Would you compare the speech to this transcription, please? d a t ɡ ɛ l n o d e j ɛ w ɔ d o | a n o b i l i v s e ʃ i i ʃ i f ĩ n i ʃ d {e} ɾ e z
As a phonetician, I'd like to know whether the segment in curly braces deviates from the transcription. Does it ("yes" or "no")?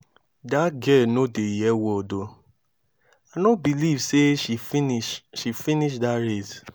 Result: yes